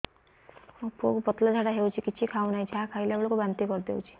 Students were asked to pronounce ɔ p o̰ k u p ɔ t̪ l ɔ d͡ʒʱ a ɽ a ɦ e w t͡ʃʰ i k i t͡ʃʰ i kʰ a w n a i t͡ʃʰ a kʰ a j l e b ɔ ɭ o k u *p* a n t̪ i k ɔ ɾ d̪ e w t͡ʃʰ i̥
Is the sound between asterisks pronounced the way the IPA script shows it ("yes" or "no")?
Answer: no